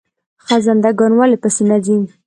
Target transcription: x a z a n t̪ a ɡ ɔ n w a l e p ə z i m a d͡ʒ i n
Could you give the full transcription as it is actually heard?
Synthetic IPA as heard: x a z a n d̪ a ɡ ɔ n w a l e p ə s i n a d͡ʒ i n